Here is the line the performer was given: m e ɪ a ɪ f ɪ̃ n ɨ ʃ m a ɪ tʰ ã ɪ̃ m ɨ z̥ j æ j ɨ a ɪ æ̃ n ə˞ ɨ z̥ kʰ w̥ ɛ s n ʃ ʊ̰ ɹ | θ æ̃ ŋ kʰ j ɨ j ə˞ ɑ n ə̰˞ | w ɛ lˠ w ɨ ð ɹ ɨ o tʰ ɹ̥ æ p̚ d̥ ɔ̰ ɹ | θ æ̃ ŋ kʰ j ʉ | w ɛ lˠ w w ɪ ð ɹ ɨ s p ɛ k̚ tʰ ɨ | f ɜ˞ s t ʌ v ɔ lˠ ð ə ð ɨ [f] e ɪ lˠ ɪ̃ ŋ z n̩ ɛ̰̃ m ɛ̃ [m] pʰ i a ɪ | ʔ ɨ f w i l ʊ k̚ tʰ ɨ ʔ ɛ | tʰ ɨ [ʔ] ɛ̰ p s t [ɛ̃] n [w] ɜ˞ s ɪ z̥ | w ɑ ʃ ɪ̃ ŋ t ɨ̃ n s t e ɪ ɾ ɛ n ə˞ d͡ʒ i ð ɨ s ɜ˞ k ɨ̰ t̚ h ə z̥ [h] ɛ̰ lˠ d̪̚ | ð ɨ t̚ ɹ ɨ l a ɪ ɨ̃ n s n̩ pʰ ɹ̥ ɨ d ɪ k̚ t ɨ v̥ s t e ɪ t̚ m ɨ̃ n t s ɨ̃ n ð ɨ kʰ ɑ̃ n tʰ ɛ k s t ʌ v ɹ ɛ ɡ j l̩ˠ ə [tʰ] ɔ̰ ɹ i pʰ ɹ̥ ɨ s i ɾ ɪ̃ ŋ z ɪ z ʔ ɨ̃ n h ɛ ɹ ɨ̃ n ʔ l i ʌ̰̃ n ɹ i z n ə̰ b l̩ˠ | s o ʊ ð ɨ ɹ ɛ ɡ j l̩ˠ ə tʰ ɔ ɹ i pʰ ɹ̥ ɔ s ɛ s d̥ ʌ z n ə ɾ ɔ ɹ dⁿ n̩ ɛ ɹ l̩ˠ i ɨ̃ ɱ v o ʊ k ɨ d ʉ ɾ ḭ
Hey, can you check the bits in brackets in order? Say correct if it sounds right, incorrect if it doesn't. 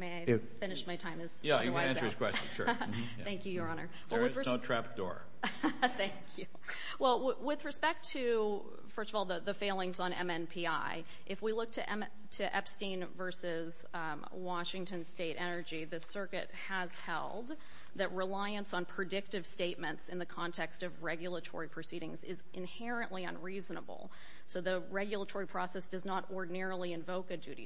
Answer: correct, incorrect: n, correct, incorrect: ĩ, incorrect: v, correct, correct

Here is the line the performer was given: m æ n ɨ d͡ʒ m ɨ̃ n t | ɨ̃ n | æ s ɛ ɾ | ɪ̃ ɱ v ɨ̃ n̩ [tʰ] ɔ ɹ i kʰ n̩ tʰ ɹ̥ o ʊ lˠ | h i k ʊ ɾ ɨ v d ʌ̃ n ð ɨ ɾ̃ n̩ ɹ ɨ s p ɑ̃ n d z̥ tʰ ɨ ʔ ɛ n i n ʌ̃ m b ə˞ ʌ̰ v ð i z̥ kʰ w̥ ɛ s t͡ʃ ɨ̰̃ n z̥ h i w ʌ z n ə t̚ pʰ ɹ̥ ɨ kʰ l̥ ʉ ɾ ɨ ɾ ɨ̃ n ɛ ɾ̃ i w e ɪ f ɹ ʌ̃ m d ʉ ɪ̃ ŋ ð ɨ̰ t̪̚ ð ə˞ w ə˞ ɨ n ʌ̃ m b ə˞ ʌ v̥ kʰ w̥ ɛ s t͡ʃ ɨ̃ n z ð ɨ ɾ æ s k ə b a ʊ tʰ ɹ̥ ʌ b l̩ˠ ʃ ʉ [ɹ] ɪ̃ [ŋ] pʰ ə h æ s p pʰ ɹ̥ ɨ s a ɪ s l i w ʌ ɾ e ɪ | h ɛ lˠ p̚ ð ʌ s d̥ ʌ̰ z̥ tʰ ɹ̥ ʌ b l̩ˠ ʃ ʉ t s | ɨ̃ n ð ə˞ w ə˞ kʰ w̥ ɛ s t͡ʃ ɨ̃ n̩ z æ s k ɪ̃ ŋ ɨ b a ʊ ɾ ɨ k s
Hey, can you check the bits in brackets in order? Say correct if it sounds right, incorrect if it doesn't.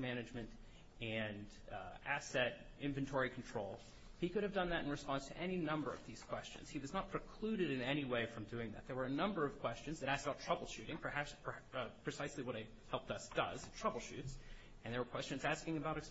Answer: correct, incorrect: ɾ, correct

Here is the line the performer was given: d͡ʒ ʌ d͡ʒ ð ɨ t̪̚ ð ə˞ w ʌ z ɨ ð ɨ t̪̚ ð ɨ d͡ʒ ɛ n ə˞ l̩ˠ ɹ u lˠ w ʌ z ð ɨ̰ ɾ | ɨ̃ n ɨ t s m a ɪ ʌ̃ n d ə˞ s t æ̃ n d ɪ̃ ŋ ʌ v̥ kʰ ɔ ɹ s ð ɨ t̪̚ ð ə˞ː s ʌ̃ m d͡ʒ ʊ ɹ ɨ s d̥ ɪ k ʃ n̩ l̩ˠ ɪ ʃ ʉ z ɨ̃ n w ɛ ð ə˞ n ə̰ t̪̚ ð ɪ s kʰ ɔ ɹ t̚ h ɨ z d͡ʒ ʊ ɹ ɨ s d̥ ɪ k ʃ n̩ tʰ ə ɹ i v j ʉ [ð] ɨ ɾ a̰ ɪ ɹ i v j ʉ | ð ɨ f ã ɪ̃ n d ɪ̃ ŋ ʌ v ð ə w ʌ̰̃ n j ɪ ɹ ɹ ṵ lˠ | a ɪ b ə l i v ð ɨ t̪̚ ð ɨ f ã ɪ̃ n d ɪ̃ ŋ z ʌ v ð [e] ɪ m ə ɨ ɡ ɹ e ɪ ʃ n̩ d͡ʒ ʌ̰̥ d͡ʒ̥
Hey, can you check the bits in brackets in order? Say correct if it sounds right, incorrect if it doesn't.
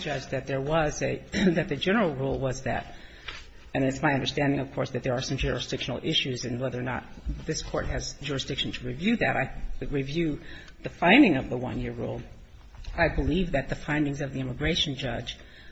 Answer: correct, incorrect: i

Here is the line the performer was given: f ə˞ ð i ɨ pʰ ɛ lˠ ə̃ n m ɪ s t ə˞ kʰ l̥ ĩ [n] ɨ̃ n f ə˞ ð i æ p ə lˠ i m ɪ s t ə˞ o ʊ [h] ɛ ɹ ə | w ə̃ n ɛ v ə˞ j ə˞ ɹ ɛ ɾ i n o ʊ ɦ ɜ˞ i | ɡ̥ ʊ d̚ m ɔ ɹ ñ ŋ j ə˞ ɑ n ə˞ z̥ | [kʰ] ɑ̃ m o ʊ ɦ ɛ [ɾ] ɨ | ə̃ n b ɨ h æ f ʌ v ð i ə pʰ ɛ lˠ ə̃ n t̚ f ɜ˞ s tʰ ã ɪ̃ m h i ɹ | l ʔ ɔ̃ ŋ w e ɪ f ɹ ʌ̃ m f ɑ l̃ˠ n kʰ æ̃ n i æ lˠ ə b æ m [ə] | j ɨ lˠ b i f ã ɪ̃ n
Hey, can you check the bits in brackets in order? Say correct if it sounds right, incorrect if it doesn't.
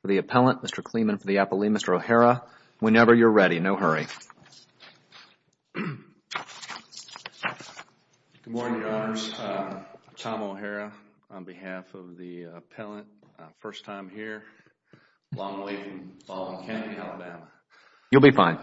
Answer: incorrect: m, correct, incorrect: tʰ, incorrect: ɹ, correct

